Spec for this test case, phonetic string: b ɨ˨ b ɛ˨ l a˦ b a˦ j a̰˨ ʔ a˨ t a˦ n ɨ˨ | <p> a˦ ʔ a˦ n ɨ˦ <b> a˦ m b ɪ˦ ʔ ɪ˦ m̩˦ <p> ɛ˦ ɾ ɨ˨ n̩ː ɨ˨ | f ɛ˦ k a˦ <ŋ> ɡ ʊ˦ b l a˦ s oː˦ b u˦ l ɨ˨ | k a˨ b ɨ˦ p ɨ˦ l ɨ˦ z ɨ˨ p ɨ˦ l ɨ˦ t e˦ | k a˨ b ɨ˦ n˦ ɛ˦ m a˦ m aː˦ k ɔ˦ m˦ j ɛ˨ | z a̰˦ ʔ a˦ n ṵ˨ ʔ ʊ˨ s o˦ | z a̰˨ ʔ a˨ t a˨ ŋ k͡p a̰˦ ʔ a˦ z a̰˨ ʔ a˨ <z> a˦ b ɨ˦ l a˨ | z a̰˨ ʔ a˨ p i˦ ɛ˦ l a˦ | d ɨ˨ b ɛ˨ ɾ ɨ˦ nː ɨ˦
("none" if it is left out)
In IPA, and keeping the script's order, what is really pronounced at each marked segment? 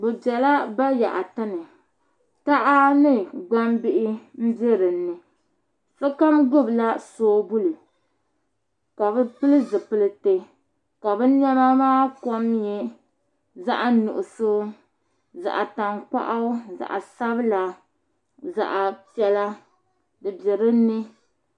t, ɡ͡b, b, m, s

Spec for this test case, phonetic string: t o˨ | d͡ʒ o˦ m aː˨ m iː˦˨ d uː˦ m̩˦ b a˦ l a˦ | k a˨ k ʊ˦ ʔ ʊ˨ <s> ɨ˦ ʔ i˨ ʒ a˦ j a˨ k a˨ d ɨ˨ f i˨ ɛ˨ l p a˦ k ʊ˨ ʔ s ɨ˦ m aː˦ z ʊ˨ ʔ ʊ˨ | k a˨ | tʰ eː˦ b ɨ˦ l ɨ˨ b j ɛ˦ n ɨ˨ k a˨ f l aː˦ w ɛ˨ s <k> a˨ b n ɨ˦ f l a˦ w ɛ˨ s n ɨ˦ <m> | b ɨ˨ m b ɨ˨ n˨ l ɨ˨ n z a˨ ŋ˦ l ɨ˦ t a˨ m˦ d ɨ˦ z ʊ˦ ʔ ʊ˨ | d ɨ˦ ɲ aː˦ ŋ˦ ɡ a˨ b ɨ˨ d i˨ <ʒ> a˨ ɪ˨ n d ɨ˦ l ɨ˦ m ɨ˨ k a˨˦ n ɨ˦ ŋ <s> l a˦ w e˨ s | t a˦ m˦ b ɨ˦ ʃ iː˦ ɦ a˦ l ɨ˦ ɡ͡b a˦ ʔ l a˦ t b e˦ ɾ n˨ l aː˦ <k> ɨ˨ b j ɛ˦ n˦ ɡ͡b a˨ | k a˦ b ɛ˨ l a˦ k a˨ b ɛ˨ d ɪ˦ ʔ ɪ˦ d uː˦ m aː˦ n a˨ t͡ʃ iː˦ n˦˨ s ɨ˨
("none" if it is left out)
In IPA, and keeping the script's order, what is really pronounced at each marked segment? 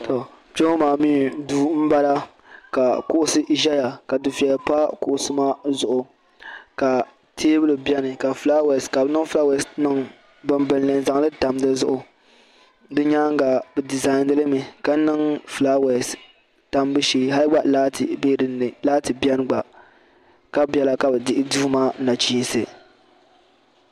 s, k, ŋ, z, f, t

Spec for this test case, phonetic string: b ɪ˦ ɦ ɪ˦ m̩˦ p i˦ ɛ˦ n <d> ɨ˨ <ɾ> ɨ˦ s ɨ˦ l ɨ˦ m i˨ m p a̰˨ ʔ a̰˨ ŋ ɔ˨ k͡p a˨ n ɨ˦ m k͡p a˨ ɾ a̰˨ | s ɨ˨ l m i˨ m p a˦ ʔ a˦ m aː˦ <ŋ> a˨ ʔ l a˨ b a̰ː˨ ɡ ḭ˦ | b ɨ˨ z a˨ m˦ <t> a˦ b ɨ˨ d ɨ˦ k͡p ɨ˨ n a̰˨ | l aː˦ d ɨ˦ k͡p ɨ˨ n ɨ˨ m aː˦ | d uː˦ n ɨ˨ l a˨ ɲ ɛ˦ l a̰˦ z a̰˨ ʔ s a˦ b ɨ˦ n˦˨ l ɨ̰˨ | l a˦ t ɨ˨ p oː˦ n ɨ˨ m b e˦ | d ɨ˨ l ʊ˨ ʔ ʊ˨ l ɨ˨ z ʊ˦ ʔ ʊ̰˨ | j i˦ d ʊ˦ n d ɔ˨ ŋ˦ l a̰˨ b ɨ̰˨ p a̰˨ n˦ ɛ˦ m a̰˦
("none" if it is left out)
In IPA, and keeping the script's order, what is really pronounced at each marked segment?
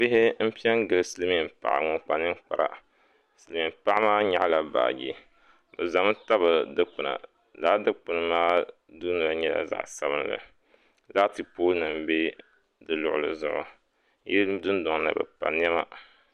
ɡ, l, ɲ, t

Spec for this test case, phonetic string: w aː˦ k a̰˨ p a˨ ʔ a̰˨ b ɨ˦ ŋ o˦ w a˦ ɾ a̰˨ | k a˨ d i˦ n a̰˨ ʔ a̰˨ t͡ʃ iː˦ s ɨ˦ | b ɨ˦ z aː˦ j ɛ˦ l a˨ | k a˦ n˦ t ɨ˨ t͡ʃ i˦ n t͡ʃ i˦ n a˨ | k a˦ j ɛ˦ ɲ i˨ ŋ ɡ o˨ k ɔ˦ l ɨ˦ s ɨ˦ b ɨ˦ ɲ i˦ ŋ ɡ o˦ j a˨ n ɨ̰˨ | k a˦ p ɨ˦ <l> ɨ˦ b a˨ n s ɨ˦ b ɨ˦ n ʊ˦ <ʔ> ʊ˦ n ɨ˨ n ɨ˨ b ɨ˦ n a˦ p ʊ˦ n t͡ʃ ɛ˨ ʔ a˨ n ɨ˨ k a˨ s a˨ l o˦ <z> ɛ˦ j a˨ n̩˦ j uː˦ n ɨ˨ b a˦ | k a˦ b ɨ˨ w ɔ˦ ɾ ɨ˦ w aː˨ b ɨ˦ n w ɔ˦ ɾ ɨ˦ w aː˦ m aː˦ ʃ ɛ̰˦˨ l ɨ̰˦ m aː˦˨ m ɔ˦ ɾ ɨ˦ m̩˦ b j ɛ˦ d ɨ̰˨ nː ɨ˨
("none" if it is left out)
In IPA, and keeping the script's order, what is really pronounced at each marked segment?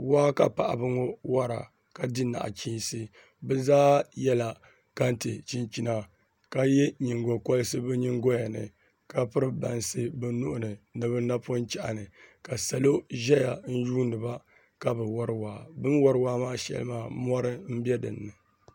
ɾ, ʔ, ʒ

